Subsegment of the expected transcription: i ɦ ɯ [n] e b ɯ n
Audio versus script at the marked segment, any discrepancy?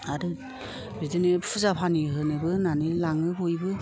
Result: no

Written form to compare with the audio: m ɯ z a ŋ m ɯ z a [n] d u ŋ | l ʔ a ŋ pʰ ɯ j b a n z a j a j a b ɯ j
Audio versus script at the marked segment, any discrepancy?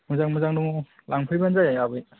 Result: yes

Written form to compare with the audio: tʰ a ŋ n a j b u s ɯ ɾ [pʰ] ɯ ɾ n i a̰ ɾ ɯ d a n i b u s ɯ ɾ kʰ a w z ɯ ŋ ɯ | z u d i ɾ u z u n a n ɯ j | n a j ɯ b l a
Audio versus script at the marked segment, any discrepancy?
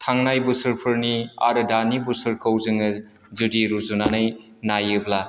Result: no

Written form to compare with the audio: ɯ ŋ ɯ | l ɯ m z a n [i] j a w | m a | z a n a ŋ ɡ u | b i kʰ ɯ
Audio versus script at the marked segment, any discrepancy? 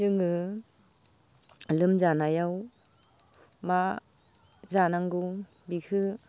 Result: yes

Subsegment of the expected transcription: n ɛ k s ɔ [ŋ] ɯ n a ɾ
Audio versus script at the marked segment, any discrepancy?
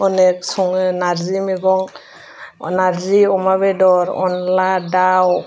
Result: no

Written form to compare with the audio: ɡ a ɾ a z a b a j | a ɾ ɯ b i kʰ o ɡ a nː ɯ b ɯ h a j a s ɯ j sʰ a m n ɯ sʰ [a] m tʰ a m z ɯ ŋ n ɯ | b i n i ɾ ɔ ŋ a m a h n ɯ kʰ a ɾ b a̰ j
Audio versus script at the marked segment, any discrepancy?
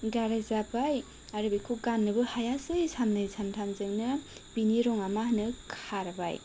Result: no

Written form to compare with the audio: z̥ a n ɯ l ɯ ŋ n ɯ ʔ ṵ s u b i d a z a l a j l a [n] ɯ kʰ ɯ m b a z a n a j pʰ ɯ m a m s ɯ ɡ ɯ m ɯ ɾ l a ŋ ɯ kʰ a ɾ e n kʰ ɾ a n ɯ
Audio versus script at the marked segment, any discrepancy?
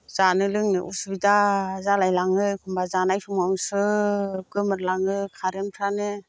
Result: yes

